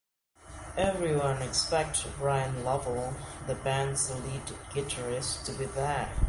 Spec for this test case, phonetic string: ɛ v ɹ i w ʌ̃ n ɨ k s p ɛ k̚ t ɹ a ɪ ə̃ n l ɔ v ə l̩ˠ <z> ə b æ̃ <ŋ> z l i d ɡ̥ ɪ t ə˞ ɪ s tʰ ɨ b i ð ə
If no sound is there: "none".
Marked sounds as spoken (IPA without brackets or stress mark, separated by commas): ð, n